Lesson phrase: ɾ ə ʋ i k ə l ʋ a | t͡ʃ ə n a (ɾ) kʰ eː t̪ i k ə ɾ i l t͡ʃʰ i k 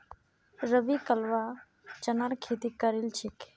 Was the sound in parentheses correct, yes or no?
yes